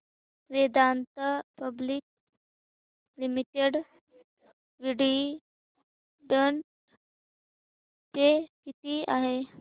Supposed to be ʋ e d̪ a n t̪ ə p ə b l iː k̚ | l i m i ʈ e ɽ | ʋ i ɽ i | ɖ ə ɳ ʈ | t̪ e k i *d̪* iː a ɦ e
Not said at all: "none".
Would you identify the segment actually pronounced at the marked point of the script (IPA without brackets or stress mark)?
t̪